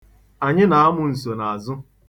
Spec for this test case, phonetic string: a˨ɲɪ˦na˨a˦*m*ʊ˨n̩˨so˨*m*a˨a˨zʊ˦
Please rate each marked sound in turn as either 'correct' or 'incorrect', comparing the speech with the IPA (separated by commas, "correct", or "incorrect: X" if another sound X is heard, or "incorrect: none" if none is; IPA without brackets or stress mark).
correct, incorrect: n